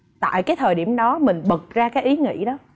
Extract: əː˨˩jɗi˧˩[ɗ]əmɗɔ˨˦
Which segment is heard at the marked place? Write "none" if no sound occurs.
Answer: none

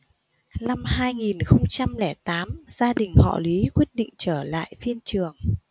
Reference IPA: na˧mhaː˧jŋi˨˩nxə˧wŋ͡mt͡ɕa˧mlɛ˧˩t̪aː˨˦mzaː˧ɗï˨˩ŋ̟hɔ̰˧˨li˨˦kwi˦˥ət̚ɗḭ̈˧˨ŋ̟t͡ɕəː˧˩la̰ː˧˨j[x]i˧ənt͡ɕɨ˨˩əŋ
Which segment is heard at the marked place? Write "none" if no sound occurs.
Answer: f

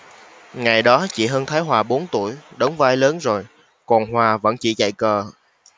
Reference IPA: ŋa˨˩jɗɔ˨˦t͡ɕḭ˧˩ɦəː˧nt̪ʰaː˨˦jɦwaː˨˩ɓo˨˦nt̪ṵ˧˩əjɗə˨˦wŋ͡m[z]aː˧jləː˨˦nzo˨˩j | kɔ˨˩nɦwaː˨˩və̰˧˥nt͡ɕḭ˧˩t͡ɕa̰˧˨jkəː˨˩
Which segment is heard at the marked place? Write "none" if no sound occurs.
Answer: v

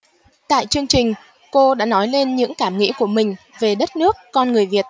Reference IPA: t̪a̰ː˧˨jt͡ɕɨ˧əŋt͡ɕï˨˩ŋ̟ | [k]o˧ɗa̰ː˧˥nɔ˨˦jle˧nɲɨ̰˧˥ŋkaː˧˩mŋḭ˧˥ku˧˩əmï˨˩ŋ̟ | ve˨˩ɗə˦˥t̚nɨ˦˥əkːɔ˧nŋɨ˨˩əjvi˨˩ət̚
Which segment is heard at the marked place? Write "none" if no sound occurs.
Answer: k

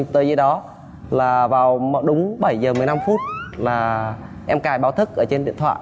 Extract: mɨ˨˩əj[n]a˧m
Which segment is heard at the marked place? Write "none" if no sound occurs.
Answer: n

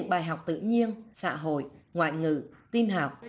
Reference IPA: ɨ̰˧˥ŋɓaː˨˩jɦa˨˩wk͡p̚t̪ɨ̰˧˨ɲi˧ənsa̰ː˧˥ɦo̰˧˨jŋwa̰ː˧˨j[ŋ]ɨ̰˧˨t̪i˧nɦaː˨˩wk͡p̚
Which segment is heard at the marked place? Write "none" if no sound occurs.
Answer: ŋ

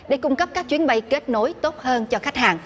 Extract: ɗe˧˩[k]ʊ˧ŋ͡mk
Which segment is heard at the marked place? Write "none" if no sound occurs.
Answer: k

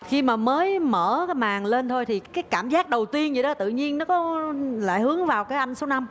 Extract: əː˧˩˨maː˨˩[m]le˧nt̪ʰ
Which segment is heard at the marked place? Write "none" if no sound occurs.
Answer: ŋ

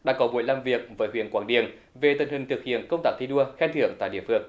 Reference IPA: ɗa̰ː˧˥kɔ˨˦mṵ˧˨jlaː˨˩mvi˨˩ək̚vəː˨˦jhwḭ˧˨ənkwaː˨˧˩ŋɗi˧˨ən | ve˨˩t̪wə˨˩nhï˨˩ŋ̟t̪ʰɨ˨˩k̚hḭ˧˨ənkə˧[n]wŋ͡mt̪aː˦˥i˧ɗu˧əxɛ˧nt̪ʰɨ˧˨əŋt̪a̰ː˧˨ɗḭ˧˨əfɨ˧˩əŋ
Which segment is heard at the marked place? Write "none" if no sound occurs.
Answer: none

